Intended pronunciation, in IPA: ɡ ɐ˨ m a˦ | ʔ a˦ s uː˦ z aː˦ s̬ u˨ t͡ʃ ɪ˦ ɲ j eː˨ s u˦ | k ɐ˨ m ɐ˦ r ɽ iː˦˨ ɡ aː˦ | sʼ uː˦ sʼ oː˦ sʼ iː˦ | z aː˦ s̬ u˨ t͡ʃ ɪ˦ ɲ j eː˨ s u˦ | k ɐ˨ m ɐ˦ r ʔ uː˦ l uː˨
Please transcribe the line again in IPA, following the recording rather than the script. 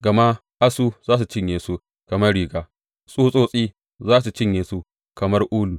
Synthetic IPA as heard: ɡ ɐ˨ m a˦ | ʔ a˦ s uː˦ z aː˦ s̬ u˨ t͡ʃ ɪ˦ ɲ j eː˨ s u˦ | k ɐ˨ m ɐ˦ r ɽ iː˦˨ ɡ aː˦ | sʼ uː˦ sʼ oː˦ sʼ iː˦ | z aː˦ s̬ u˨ t͡ʃ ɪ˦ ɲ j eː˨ s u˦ | k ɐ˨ m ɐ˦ r ʔ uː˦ l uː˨